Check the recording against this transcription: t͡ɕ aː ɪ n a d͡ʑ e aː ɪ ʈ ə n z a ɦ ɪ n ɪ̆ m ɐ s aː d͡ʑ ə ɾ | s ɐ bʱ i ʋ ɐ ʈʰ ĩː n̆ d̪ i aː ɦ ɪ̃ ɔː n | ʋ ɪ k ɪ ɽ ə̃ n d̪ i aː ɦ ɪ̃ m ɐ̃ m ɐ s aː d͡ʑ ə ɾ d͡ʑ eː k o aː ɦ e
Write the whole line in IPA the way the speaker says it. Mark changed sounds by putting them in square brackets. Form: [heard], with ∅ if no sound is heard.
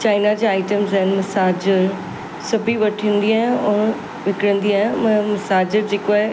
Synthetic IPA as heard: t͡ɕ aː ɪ n a d͡ʑ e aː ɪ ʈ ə [m] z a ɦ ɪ n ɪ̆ m ɐ s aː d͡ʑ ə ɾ | s ɐ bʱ i ʋ ɐ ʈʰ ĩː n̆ d̪ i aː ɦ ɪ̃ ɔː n | ʋ ɪ k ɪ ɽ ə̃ n d̪ i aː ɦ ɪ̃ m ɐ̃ m ɐ s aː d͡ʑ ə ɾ d͡ʑ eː k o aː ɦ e